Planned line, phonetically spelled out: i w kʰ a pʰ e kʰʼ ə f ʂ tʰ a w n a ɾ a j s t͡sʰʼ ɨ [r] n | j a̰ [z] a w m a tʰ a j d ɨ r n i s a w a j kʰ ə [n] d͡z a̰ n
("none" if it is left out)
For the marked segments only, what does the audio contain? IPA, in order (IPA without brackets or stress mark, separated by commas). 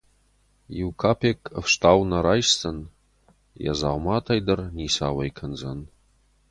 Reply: none, z, n